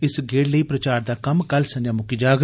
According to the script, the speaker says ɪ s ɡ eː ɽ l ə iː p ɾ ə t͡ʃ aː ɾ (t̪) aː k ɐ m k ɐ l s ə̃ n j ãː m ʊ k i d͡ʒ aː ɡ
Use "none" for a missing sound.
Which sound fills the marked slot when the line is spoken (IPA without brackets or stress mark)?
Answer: d̪